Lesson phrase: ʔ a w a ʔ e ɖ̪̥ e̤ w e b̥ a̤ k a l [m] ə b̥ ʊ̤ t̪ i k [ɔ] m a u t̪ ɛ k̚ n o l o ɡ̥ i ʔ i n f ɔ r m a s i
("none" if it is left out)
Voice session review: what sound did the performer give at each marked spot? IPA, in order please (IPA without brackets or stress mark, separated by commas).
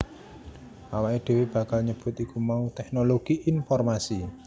ɲ, u